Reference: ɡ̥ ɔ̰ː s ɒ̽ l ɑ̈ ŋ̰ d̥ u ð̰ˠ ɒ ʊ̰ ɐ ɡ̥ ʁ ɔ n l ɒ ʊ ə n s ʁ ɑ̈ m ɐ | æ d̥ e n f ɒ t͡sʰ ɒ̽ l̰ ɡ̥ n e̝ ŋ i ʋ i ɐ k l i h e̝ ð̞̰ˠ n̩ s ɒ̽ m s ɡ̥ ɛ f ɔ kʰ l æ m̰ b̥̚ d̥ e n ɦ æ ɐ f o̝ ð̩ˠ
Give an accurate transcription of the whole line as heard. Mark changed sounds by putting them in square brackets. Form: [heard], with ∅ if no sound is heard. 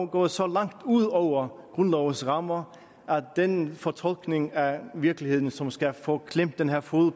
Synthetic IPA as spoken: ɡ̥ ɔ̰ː s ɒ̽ l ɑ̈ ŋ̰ d̥ u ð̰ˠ ɒ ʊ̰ ɐ ɡ̥ ʁ ɔ n l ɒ ʊ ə n s ʁ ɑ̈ m ɐ | æ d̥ e n f ɒ t͡sʰ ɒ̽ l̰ ɡ̥ n e̝ ŋ [æ] ʋ i ɐ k l i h e̝ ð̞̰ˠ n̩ s ɒ̽ m s ɡ̥ [æ] f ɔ kʰ l [e] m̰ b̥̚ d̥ e n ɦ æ ɐ f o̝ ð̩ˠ

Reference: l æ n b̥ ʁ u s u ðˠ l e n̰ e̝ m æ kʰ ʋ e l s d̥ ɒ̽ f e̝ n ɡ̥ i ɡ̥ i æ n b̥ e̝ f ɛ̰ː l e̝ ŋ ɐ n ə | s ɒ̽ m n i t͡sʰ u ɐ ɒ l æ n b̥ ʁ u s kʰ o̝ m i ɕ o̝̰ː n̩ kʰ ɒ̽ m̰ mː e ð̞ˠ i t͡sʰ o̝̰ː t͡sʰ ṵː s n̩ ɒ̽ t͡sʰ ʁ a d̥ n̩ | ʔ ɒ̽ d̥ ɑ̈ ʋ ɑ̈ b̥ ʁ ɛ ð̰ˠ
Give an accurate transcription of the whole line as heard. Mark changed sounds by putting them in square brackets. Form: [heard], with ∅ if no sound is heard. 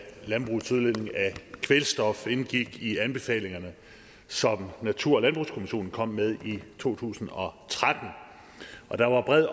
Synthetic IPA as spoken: l æ n b̥ ʁ u s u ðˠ l e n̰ e̝ [ŋ] æ kʰ ʋ e l s d̥ ɒ̽ f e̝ n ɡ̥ i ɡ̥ i æ n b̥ e̝ f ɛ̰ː l e̝ ŋ ɐ n ə | s ɒ̽ m n [æ] t͡sʰ u ɐ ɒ l æ n b̥ ʁ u s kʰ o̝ m i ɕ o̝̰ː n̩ kʰ ɒ̽ m̰ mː e ð̞ˠ i t͡sʰ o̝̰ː t͡sʰ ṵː s n̩ ɒ̽ t͡sʰ ʁ a d̥ n̩ | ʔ ɒ̽ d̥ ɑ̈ ʋ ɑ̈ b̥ ʁ ɛ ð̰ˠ

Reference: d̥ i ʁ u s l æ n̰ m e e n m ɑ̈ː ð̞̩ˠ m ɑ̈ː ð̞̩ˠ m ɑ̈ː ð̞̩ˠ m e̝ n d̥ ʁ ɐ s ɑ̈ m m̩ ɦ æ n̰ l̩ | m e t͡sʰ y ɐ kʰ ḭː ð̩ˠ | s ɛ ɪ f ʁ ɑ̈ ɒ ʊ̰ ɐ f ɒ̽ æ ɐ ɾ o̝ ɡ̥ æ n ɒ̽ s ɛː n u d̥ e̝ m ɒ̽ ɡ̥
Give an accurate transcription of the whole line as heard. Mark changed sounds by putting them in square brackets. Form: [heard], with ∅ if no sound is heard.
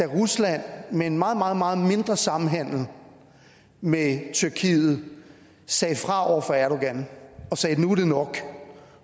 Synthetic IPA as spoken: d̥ [æ] ʁ u s l æ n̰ m e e n m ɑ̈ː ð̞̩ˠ m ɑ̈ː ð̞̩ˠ m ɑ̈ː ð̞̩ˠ m e̝ n d̥ ʁ ɐ s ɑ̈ m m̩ ɦ æ n̰ l̩ | m e t͡sʰ y ɐ kʰ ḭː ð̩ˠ | s ɛ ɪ f ʁ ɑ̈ ɒ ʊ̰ ɐ f ɒ̽ æ ɐ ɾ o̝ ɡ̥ æ n ɒ̽ s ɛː n u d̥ e̝ [n] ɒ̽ ɡ̥

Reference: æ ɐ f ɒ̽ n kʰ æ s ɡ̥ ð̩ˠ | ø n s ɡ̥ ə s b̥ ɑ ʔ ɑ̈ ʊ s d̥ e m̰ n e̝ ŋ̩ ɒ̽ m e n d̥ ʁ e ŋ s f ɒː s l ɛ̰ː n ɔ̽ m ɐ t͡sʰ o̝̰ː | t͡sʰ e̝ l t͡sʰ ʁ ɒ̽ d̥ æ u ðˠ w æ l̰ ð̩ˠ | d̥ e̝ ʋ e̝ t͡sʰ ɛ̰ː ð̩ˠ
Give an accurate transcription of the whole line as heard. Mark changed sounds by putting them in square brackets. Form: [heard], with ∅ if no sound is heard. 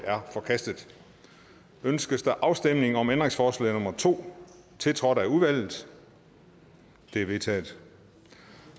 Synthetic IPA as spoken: æ ɐ f ɒ̽ [∅] kʰ æ s [d̥] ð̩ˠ | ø n s ɡ̥ ə s [d̥] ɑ ʔ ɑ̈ ʊ s d̥ e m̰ n e̝ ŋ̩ ɒ̽ m e n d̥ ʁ e ŋ s f ɒː s l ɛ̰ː n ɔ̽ m ɐ t͡sʰ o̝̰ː | t͡sʰ e̝ l t͡sʰ ʁ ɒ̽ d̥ æ u ðˠ [ʋ] æ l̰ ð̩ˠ | d̥ e̝ ʋ e̝ t͡sʰ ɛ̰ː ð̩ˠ

